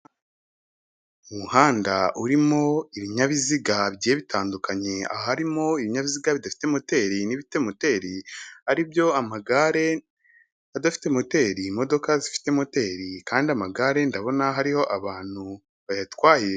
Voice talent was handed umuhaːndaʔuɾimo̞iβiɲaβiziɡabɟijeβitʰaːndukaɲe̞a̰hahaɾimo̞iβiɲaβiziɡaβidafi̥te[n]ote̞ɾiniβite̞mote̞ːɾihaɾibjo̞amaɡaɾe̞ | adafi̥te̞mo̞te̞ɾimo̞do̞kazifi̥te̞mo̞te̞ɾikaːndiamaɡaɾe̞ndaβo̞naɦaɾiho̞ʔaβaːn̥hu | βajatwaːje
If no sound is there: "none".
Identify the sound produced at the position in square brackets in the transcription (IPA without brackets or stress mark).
m